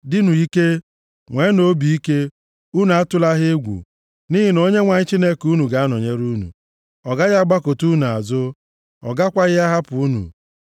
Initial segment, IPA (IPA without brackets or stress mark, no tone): d